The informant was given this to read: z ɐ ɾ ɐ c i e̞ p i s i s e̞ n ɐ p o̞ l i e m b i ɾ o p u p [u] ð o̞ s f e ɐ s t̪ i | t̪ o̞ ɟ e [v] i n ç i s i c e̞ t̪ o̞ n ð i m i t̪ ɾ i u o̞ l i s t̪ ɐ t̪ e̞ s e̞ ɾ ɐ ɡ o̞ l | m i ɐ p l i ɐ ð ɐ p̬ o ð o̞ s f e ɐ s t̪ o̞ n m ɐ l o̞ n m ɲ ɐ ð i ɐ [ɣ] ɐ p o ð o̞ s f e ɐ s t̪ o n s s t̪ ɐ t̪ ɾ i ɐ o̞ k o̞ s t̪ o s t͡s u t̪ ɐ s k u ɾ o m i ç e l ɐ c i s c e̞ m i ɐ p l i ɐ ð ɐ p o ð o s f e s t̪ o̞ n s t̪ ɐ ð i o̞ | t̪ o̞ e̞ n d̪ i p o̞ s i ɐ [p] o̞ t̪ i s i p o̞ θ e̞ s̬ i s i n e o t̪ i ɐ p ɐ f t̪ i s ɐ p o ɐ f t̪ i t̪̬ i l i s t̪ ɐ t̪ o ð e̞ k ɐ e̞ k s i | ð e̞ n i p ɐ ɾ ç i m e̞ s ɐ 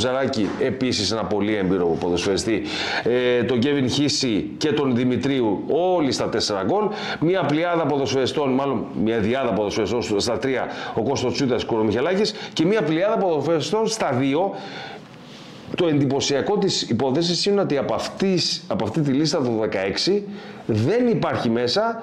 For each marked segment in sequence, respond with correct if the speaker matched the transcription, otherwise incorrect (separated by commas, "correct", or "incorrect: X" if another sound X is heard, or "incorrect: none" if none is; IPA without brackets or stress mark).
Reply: incorrect: o, correct, incorrect: ð, incorrect: k